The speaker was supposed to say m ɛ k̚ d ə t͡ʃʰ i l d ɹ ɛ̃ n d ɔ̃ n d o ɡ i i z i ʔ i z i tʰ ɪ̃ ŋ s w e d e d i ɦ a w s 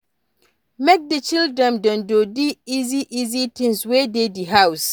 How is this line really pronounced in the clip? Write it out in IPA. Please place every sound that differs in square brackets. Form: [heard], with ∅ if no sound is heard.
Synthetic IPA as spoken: m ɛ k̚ d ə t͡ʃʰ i l d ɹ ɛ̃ n d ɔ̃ n d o [d] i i z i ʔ i z i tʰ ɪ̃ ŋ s w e d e d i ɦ a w s